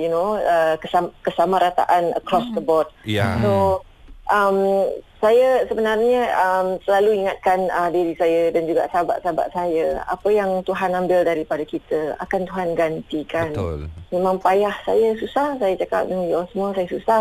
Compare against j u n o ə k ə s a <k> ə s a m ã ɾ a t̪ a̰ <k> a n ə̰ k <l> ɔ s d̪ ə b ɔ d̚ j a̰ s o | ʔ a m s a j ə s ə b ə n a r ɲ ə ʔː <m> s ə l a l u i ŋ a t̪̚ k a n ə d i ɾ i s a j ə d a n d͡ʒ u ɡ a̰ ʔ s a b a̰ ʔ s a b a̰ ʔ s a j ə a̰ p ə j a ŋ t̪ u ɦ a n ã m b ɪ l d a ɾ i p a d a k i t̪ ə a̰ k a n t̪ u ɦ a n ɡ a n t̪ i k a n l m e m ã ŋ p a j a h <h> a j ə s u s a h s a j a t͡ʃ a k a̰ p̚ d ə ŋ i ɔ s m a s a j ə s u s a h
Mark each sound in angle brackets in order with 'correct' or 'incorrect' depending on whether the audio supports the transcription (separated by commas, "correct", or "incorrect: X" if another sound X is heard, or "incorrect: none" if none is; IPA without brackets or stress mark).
correct, incorrect: ʔ, incorrect: ɾ, correct, incorrect: s